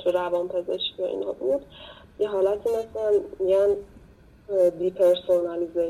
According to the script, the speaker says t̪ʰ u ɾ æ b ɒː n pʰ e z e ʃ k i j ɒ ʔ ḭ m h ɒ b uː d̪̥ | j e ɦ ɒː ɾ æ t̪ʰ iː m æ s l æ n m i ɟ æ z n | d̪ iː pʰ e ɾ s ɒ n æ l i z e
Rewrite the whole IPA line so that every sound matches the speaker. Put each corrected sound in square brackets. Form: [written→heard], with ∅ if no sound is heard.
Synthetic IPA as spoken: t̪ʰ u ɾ æ [b→v] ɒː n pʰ e z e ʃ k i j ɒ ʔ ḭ [m→n] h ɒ b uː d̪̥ | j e ɦ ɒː [ɾ→l] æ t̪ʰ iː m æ s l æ n m i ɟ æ [z→∅] n | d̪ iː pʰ e ɾ s [ɒ→o] n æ l i z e